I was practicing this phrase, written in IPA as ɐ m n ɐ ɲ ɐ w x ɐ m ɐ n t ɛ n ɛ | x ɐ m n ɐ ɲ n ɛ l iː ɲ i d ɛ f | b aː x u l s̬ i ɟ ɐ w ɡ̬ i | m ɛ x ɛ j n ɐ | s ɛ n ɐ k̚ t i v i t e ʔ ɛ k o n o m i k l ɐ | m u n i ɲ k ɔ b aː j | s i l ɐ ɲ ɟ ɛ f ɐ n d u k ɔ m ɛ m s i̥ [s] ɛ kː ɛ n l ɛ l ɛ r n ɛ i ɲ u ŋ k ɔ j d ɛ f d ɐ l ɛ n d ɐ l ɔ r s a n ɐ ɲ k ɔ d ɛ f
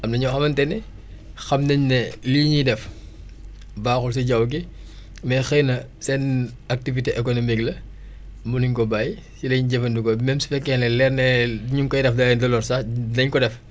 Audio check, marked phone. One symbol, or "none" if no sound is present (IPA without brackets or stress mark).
f